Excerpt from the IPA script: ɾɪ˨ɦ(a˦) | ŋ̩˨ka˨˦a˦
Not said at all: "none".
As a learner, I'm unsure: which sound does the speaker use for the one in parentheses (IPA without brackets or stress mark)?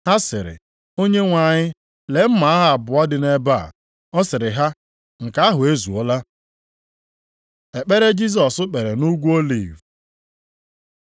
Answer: a˦